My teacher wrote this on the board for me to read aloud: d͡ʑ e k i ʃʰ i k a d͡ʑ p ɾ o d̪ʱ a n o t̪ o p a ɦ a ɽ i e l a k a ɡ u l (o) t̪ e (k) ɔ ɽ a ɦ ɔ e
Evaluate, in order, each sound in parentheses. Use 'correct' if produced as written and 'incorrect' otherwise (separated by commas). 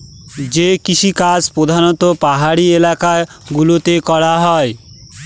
correct, correct